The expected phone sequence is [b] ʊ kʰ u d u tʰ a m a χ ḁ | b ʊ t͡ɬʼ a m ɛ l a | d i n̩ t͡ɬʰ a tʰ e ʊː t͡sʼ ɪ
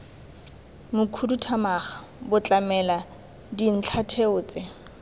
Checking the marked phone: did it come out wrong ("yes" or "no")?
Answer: yes